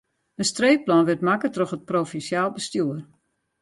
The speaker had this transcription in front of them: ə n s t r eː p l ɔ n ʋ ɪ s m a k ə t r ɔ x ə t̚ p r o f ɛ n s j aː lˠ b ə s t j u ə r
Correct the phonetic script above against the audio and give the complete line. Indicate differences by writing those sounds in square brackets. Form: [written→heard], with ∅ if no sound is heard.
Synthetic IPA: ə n s t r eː p l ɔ n ʋ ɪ [s→t] m a k ə t r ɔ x ə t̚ p r o f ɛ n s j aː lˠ b ə s t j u ə r